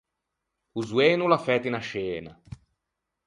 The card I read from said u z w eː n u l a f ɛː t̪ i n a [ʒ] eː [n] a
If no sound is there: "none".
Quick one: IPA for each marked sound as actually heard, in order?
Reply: ʃ, n

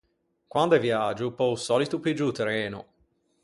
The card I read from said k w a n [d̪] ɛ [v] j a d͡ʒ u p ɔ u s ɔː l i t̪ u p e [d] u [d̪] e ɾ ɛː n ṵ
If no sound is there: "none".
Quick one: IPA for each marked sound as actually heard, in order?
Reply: d̪, v, d͡ʒ, t̪

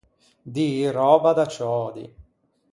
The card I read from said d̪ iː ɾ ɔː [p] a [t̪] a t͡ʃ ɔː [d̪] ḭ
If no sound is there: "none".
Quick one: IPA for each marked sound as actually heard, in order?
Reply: b, d̪, d̪

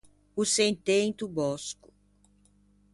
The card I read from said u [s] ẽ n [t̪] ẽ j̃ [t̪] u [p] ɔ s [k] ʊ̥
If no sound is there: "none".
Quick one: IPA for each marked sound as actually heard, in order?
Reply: s, t̪, t̪, b, k

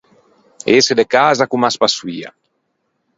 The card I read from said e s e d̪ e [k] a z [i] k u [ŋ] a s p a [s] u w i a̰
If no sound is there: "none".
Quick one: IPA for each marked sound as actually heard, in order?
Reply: k, a, m, s

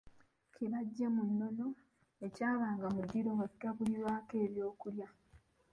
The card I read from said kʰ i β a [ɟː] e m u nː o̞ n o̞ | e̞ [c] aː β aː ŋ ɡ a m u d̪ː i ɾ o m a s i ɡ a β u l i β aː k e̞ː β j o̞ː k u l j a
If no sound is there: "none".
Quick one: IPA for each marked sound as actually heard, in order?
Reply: ɟː, c

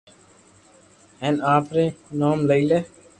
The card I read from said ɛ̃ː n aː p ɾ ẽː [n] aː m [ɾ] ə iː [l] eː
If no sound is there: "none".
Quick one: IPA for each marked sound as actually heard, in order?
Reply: n, l, l

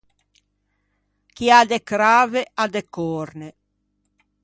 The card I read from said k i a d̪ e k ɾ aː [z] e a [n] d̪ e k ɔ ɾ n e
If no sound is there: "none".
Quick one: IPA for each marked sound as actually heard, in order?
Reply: v, none

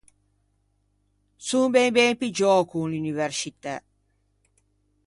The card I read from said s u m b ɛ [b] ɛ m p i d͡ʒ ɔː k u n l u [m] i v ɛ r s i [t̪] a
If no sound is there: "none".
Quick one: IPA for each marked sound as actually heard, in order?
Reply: b, n, t̪

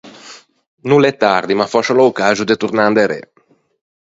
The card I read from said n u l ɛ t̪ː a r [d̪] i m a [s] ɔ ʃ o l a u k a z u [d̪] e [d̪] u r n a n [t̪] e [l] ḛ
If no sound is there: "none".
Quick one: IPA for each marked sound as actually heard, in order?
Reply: d̪, f, d̪, t̪, d̪, ɾ

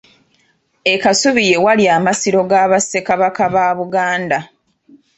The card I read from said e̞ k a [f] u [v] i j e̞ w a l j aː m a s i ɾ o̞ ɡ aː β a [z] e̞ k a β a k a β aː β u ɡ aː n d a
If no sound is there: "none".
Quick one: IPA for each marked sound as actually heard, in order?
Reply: s, β, s

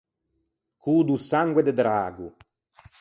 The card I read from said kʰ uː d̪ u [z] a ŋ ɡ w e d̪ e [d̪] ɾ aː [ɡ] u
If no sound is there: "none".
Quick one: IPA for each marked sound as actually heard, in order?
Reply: s, d̪, ɡ

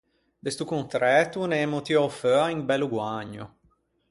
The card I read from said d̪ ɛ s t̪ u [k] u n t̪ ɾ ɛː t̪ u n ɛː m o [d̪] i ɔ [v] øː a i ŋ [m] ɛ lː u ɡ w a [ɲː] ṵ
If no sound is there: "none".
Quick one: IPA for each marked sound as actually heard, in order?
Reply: k, t̪, f, b, ɲː

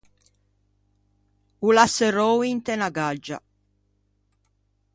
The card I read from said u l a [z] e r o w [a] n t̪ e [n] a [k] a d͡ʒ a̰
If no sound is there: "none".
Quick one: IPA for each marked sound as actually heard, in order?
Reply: s, i, n, ɡ

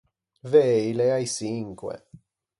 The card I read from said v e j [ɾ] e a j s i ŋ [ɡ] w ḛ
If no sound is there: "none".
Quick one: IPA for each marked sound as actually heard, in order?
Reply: l, k

